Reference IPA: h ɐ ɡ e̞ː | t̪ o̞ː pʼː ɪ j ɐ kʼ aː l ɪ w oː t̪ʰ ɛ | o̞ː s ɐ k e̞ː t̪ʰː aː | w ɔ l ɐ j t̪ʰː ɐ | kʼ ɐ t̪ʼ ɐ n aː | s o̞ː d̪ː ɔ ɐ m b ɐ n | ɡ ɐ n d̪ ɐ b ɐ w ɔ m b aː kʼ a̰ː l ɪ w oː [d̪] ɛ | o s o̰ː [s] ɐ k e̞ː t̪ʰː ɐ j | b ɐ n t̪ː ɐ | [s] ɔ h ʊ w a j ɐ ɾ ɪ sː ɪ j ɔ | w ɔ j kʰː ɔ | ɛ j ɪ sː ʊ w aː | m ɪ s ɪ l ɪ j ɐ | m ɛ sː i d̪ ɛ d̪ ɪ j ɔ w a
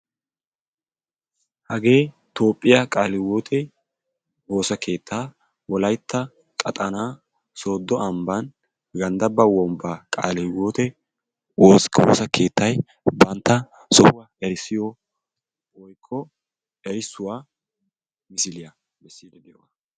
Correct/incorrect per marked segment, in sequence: incorrect: t̪, correct, correct

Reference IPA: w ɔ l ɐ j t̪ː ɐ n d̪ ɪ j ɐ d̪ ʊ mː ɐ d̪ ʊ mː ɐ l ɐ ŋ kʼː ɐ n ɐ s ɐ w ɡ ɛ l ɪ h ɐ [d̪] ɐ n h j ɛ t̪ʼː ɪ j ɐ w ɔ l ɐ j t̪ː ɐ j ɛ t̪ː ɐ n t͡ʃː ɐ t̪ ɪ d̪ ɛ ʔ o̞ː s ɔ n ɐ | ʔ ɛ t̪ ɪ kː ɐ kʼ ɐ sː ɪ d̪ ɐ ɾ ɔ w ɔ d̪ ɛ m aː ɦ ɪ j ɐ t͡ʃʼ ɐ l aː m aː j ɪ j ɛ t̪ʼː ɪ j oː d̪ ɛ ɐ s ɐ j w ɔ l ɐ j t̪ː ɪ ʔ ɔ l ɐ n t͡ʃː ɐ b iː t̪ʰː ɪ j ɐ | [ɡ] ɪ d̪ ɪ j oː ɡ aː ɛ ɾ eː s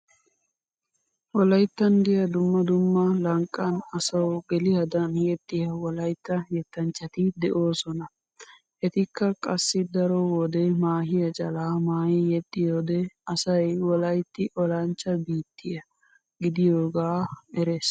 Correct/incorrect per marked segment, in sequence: correct, correct

